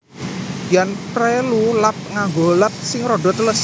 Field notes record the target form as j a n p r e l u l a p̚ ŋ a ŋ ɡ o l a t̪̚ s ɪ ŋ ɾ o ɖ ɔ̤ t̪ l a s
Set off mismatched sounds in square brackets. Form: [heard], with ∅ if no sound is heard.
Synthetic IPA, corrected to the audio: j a n p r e l u l a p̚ ŋ a ŋ ɡ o l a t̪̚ s ɪ ŋ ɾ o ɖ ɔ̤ t̪ l [ə] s